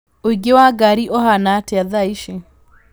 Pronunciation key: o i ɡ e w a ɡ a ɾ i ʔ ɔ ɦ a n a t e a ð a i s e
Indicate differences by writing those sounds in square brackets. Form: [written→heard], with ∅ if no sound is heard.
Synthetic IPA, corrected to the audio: o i ɡ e w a ɡ a ɾ i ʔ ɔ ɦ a n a t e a ð a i [s→ʃ] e